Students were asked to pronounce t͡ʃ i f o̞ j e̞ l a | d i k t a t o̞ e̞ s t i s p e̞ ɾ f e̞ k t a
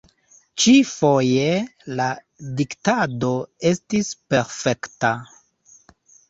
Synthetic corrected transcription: t͡ʃ i f o̞ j e̞ l a | d i k t a d o̞ e̞ s t i s p e̞ ɾ f e̞ k t a